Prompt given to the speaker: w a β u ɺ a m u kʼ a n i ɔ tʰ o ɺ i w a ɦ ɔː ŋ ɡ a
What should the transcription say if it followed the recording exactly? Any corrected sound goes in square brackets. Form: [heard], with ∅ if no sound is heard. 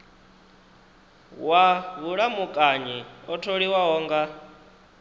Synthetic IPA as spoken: w a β u ɺ a m u kʼ a [ɲ] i ɔ tʰ o ɺ i w a ɦ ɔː ŋ ɡ a